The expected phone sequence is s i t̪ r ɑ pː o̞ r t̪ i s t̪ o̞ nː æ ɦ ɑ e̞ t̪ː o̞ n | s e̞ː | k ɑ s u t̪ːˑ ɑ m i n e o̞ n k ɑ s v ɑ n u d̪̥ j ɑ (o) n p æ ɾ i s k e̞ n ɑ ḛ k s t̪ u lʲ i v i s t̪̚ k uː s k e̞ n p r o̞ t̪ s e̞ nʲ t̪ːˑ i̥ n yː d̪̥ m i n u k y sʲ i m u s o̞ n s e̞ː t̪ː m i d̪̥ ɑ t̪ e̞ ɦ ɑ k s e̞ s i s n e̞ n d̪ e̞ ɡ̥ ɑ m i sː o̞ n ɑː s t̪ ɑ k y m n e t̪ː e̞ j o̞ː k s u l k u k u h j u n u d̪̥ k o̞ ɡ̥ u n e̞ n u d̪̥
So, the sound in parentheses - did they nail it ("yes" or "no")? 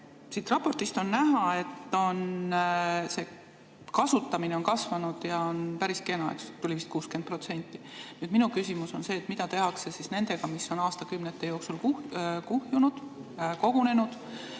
yes